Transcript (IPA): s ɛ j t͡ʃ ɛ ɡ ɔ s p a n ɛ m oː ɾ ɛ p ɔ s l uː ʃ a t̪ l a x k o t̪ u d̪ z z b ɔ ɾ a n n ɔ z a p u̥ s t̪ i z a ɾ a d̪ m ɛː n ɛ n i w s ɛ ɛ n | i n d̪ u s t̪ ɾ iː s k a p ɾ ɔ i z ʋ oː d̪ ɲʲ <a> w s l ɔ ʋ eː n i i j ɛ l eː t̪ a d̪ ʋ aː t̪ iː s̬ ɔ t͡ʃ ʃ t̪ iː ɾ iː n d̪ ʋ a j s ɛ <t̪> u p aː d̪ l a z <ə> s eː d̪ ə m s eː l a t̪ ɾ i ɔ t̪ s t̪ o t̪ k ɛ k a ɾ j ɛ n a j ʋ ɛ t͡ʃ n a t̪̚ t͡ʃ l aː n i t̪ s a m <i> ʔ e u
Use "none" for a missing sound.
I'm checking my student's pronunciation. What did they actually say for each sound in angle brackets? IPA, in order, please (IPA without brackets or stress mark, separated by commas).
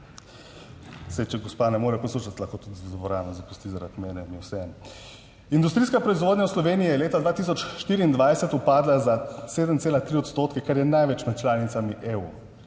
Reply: a, t̪, a, i